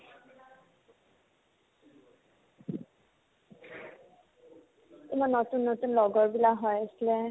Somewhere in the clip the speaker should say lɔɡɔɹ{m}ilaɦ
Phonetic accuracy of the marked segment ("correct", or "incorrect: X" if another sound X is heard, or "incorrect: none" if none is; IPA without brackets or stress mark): incorrect: b